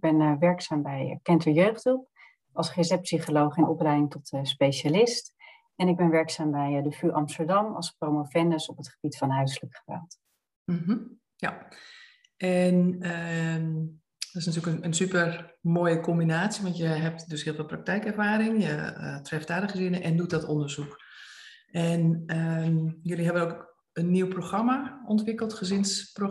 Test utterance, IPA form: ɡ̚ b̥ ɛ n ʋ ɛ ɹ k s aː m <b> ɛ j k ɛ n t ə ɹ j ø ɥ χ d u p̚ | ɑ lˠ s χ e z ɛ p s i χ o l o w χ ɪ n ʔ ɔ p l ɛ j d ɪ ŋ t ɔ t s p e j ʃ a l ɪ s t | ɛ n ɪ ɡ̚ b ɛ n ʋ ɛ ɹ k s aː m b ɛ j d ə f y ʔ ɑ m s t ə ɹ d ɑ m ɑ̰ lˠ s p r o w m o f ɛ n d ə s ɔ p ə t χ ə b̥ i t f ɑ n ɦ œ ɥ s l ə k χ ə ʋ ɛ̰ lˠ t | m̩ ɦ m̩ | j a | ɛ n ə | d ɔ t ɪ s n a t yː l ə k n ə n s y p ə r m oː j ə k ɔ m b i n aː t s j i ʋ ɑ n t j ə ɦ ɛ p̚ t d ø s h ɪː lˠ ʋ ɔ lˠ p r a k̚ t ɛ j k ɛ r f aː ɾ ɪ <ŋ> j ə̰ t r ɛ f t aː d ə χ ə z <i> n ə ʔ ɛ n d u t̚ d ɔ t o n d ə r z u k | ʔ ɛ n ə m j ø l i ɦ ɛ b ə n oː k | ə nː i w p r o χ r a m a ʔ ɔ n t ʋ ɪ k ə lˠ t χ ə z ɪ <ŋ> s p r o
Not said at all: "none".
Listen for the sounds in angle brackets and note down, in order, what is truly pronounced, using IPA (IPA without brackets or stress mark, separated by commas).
b, ŋ, ɪ, n